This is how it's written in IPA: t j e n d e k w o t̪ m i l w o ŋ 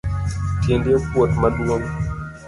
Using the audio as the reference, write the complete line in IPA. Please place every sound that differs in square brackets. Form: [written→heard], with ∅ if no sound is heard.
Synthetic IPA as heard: t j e n d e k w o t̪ m [i→a] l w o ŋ